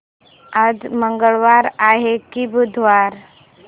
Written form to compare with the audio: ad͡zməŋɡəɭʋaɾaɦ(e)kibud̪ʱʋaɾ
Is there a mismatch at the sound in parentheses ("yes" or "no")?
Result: no